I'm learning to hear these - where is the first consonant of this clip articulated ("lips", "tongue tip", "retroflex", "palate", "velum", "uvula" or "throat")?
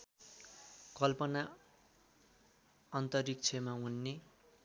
velum